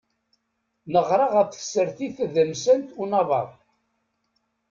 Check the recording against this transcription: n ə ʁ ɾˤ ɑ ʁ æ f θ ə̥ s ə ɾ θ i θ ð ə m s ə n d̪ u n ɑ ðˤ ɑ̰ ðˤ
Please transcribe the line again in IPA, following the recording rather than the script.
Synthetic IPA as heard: n ə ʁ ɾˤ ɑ ʁ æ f θ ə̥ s ə ɾ θ i θ ð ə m s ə n t̪ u n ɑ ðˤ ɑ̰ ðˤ